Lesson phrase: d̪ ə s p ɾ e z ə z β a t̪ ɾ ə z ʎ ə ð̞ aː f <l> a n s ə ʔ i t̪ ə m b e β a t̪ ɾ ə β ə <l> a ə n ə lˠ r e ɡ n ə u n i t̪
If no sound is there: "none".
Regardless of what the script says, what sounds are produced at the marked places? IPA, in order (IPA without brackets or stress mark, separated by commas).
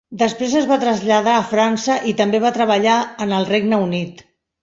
ɾ, ʎ